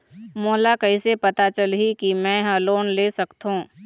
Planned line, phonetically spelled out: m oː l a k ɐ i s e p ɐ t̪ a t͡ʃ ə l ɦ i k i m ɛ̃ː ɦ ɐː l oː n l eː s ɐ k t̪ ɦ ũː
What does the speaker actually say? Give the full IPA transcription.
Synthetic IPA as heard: m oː l a k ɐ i s e p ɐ t̪ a t͡ʃ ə l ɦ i k i m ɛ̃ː ɦ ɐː l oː n l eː s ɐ k t̪ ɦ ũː